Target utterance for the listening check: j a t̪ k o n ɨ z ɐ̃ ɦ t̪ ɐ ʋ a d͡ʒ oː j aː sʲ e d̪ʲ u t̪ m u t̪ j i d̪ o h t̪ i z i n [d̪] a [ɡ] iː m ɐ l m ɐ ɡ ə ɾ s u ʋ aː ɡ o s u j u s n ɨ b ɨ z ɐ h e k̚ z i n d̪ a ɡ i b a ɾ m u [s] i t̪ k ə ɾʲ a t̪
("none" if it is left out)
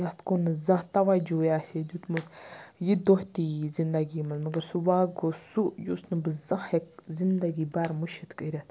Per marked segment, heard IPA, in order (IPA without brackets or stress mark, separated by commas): d̪, ɡ, ʃ